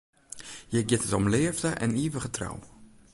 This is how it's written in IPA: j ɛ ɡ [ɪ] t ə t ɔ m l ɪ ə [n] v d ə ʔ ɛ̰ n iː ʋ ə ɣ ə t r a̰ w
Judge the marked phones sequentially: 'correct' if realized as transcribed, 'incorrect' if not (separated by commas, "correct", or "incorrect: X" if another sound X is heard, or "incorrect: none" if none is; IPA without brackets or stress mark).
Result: correct, incorrect: none